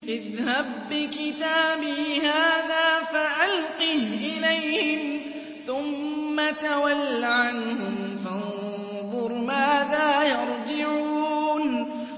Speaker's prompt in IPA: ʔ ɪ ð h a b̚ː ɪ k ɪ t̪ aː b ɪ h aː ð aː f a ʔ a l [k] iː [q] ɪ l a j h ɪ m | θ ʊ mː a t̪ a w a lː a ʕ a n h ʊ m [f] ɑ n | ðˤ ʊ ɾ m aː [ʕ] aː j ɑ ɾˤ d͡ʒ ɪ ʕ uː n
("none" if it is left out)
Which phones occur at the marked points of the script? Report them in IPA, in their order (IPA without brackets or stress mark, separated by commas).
q, ʔ, f, ð